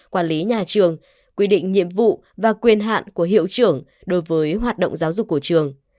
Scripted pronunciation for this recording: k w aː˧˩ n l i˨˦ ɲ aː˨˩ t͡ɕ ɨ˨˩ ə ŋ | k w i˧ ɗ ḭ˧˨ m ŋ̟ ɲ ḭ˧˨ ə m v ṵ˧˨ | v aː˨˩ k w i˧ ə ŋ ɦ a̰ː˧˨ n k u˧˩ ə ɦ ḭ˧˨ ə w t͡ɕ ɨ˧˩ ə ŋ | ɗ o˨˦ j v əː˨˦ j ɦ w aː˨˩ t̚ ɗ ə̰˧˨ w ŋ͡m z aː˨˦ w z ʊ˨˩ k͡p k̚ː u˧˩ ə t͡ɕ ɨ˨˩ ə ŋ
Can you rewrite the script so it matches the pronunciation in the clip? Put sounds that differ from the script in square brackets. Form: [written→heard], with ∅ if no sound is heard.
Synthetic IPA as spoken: k w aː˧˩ n l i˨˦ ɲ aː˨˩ t͡ɕ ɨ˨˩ ə ŋ | k w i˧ ɗ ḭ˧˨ [m→∅] ŋ̟ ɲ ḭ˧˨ ə m v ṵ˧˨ | v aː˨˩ k w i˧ ə [ŋ→n] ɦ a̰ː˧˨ n k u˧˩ ə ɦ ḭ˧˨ ə w t͡ɕ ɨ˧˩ ə ŋ | ɗ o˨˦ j v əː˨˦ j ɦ w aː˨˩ t̚ ɗ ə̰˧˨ w ŋ͡m z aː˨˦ w z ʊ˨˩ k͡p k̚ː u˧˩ ə t͡ɕ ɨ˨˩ ə ŋ